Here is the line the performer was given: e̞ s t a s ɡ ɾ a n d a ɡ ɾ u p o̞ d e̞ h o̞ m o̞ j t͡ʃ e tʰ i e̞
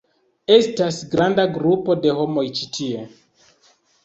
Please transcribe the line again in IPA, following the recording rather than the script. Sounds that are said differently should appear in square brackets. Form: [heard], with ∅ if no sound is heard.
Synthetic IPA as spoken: e̞ s t a s ɡ ɾ a n d a ɡ ɾ u p o̞ d e̞ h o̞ m o̞ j t͡ʃ [i] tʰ i e̞